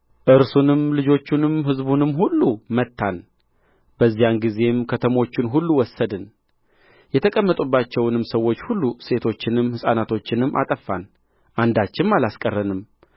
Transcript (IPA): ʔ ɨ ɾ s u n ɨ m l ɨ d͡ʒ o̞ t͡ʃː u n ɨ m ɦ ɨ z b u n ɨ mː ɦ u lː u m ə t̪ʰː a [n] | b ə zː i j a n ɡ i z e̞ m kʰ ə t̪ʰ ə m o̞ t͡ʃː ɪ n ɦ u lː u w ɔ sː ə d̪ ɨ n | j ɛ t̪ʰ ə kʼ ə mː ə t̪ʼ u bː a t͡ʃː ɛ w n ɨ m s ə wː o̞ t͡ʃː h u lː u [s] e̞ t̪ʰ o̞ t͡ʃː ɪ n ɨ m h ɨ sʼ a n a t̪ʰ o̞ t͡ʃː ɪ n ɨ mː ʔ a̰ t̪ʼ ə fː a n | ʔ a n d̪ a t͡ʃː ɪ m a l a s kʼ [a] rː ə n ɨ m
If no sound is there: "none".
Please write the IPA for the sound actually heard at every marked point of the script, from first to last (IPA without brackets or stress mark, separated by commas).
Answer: n, s, ə